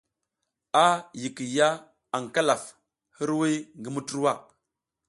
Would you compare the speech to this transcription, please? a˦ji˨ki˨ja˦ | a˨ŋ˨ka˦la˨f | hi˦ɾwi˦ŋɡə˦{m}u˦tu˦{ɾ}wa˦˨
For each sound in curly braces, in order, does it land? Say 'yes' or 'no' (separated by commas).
yes, yes